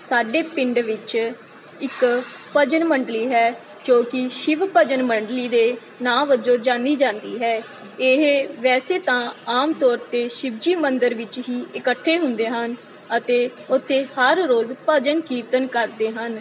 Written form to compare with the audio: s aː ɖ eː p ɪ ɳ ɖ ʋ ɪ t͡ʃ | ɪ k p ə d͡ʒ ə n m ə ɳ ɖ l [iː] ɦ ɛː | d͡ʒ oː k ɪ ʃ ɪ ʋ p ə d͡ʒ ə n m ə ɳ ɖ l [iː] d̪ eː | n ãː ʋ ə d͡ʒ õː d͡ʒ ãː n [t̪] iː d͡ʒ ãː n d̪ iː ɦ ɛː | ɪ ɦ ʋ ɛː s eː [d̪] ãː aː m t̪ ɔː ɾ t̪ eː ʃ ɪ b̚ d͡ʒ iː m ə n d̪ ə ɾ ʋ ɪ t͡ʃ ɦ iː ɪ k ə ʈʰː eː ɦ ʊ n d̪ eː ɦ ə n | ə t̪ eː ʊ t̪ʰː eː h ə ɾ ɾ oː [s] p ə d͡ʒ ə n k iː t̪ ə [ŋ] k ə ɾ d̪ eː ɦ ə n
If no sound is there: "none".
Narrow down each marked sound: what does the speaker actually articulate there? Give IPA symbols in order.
iː, iː, d̪, t̪, z, n

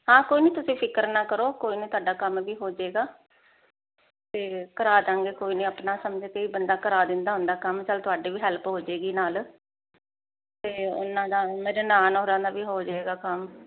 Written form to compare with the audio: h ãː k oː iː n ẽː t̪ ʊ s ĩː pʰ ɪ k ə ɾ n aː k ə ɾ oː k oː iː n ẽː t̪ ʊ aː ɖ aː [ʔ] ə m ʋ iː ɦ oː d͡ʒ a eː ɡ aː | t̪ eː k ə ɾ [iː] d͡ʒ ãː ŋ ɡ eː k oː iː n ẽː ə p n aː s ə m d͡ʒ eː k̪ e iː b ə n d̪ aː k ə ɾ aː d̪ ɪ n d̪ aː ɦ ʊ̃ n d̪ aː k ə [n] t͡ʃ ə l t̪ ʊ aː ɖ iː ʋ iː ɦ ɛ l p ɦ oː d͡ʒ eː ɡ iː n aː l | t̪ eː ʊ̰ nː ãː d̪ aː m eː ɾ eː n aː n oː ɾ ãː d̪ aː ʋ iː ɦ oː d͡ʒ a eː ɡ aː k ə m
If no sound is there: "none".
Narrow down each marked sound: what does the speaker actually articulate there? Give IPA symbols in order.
k, aː, m

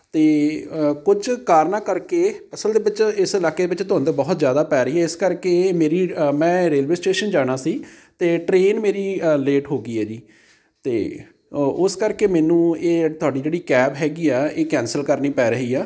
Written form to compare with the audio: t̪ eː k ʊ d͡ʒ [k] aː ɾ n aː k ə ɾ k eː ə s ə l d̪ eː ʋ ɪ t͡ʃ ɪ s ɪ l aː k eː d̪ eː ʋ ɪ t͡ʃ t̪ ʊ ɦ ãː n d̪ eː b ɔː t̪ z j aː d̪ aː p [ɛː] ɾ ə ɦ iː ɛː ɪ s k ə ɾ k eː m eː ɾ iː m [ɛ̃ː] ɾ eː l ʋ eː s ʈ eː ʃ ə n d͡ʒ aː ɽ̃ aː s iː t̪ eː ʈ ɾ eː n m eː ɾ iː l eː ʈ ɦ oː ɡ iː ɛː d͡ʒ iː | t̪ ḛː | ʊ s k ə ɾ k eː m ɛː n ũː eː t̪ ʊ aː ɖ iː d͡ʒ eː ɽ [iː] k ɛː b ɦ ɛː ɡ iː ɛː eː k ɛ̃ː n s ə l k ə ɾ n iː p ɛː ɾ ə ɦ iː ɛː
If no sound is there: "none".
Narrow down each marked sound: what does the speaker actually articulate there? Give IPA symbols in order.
k, ɛː, ɛ̃ː, iː

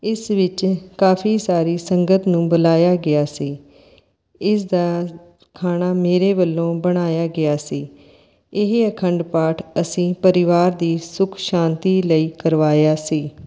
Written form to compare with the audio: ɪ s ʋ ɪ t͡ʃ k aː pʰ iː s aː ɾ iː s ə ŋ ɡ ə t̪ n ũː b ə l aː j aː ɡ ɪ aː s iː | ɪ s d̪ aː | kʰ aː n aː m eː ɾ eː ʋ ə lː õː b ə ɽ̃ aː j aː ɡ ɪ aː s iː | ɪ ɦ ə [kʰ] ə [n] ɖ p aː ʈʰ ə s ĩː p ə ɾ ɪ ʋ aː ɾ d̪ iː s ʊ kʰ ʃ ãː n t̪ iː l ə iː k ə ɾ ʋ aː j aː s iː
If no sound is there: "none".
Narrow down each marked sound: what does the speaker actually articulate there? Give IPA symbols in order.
kʰ, ɳ

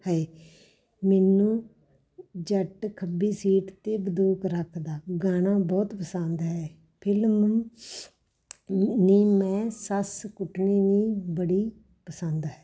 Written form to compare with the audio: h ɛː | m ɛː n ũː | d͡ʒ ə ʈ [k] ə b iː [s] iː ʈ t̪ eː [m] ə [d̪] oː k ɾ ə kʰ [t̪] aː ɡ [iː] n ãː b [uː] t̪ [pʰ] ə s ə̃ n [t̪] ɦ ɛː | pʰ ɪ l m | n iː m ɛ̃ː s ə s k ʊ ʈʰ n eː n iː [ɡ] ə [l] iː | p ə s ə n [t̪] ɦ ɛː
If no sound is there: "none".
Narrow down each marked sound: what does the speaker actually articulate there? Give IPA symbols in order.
kʰ, s, b, d̪, d̪, aː, ɔː, p, d̪, b, ɽ, d̪

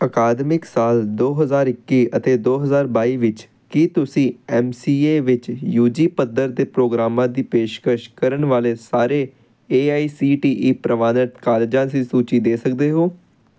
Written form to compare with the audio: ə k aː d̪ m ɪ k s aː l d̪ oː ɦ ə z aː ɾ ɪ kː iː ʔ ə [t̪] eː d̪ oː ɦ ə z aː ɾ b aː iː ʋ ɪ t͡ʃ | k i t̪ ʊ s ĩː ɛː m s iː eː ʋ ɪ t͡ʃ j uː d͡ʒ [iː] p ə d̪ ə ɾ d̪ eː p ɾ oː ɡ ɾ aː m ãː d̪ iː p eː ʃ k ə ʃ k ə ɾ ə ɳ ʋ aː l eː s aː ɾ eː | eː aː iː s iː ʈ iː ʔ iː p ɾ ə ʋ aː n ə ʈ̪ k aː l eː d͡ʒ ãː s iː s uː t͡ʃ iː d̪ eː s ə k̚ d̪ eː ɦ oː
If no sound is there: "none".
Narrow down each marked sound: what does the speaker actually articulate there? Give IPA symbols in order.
t̪, iː

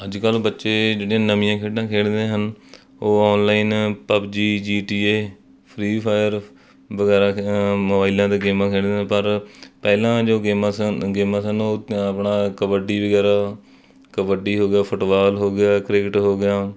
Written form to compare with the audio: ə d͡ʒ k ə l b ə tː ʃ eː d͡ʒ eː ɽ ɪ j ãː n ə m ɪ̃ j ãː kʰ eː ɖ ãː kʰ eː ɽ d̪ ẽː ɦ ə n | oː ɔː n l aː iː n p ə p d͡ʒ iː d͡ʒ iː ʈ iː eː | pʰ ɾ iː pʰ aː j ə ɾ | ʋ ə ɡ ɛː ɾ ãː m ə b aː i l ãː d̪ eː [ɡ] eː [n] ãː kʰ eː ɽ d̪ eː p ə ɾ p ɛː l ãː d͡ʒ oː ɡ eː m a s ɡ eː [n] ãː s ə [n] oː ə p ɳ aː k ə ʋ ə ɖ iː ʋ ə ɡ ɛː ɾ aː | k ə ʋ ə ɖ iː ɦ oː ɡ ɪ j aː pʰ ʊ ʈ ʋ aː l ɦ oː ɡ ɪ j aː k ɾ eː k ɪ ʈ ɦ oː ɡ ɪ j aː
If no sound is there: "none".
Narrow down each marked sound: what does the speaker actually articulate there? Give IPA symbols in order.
ɡ, m, m, n

